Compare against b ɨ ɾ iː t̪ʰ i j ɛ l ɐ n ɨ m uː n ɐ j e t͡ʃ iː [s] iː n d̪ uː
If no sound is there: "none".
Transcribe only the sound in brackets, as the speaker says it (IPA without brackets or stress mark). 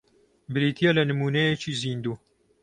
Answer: z